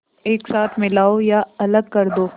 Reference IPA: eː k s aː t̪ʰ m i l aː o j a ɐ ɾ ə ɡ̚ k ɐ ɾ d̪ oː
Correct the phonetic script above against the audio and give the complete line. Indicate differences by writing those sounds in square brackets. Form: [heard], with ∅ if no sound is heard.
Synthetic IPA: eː k s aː t̪ʰ m [ɪ] l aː o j a ɐ [l] ə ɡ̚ k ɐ ɾ d̪ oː